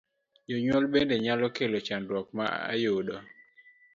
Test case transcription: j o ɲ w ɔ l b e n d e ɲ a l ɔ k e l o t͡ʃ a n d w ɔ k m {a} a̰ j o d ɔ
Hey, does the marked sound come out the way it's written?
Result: yes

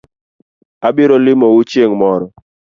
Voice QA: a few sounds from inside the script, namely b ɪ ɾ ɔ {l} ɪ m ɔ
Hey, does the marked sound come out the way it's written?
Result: yes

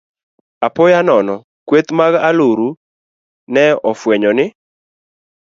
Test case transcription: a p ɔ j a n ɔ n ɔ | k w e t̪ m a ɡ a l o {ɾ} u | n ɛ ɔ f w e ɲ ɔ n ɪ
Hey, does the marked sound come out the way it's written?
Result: yes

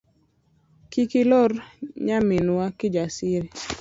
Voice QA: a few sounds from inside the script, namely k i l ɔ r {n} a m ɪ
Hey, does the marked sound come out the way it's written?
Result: no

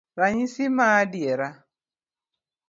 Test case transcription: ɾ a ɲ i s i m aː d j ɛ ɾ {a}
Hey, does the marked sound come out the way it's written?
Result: yes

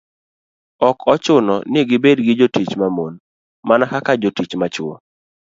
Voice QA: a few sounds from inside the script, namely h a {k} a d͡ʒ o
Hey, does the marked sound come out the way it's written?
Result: yes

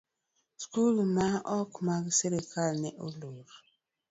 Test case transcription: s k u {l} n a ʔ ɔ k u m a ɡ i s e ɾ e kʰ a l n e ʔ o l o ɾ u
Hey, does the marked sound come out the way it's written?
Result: yes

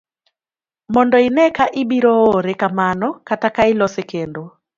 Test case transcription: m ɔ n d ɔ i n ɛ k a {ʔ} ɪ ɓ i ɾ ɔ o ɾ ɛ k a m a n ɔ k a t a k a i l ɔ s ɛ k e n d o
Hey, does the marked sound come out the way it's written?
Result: yes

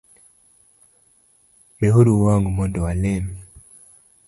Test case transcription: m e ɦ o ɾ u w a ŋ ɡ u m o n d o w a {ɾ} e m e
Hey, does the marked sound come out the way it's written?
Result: no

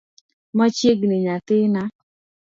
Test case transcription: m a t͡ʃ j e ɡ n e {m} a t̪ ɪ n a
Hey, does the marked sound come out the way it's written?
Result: no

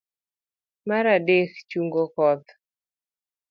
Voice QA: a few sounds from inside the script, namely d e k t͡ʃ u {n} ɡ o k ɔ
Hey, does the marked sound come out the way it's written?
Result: no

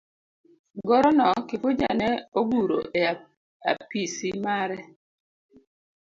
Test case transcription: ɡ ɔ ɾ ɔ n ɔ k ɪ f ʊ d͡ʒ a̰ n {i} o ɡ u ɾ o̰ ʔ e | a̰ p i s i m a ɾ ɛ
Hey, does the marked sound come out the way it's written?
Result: no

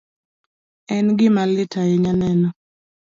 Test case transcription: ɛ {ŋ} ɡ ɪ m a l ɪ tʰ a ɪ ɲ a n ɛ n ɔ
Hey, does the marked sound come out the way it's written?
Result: no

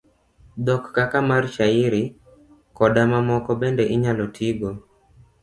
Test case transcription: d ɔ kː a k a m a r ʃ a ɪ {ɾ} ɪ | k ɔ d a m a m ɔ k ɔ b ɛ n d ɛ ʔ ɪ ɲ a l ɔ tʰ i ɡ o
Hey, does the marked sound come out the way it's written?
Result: yes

